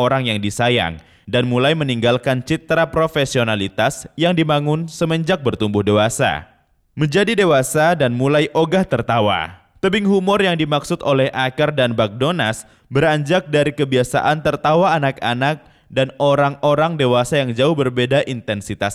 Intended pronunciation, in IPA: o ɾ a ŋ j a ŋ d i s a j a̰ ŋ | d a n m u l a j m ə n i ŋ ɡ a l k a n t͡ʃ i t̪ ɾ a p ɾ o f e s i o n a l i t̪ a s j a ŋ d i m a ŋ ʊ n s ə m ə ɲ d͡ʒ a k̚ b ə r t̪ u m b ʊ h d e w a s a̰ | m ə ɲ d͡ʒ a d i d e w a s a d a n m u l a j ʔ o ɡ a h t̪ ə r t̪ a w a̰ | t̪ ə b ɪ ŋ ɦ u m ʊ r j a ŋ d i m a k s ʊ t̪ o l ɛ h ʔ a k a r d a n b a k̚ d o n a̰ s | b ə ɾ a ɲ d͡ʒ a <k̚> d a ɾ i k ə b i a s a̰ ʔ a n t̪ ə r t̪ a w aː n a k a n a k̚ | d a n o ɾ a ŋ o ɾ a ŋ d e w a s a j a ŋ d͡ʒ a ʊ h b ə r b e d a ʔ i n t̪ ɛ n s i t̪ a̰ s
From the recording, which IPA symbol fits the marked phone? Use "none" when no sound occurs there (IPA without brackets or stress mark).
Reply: k̚